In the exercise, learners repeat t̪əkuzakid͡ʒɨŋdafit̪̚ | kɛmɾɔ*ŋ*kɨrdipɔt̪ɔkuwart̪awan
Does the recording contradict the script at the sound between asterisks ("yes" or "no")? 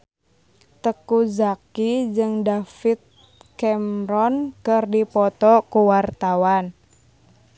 yes